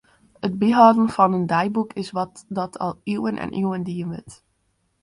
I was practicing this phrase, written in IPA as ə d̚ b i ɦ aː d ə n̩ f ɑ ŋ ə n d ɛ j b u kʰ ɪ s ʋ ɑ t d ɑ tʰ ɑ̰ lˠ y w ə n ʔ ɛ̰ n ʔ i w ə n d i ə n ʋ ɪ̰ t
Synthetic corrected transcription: ə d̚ b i ɦ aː d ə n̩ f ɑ n ə n d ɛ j b u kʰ ɪ s ʋ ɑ t d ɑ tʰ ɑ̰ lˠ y w ə n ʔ ɛ̰ n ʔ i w ə n d i ə n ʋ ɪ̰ t